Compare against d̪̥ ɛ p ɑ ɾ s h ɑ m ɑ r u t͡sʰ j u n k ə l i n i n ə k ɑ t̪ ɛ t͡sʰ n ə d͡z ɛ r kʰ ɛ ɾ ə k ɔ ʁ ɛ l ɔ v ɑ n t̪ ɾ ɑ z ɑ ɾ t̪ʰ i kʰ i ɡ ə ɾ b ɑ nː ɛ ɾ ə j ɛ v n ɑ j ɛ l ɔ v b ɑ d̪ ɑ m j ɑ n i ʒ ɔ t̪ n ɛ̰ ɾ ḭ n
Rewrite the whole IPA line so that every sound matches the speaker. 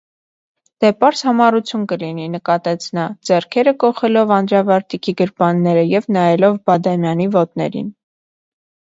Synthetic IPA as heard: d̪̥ ɛ p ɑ ɾ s h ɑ m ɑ r u t͡sʰ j u n k ə l i n i n ə k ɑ t̪ ɛ t͡sʰ n ɑ d͡z ɛ r kʰ ɛ ɾ ə k ɔ χ ɛ l ɔ v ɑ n d̪ ɾ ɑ v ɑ ɾ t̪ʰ i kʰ i ɡ ə ɾ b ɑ nː ɛ ɾ ə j ɛ v n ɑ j ɛ l ɔ v b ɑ d̪ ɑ m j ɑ n i v ɔ t̪ n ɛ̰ ɾ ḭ n